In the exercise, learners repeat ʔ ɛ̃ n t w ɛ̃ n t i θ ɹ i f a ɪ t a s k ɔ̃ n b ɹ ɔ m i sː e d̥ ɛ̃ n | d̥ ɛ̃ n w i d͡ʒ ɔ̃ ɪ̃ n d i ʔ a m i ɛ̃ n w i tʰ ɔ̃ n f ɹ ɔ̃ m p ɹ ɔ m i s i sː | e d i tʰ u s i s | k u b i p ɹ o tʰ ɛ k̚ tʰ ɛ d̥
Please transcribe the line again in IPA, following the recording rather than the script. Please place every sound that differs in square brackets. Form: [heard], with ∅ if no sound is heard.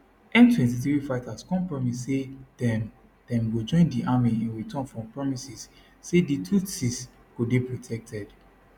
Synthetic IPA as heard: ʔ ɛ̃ n t w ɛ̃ n t i θ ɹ i f a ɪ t a s k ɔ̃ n [p] ɹ ɔ m i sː e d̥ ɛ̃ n | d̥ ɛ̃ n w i d͡ʒ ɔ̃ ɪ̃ n d i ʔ a m i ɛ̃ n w i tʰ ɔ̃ n f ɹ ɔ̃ m p ɹ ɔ m i s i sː | e d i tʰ u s i s | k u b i p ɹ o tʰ ɛ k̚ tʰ ɛ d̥